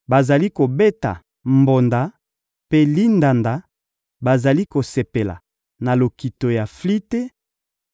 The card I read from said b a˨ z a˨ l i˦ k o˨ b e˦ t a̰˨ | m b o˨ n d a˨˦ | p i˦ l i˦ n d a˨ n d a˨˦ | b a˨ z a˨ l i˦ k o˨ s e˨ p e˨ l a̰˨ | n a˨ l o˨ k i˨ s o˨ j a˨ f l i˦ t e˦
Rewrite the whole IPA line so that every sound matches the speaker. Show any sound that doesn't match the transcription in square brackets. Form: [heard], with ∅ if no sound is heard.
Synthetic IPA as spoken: b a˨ z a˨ l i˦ k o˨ b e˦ t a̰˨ | m b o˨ n d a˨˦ | p [e˦] l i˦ n d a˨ n d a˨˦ | b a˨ z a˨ l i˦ k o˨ s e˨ p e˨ l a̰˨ | n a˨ l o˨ k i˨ [t] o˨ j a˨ f l i˦ t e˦